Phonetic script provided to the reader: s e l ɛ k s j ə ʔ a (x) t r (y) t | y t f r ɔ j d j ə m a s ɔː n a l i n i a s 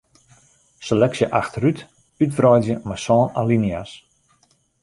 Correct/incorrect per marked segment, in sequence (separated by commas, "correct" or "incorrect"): correct, correct